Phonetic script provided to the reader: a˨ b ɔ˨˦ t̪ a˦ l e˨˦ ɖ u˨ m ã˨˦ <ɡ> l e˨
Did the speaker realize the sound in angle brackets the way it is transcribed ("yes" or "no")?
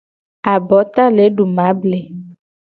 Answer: no